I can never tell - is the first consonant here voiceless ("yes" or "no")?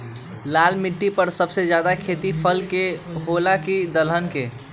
no